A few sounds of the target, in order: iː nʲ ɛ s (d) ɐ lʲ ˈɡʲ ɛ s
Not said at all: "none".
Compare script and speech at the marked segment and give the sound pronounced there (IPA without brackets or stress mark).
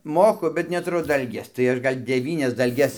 d